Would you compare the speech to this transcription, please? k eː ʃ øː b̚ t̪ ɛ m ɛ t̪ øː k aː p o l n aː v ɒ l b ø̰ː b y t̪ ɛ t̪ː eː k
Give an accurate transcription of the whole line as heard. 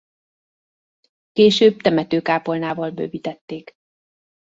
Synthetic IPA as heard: k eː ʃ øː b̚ t̪ ɛ m ɛ t̪ øː k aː p o l n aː v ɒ l b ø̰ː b i t̪ ɛ t̪ː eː k